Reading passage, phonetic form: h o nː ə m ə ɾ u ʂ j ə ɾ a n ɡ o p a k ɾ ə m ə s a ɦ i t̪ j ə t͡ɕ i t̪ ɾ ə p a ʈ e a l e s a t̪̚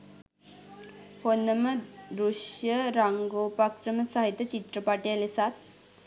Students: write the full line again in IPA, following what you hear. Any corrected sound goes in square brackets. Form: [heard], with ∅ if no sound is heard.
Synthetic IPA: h o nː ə m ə ɾ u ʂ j ə ɾ a [ŋ] ɡ o p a k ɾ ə m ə s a ɦ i t̪ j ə t͡ɕ i t̪ ɾ ə p a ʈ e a l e s a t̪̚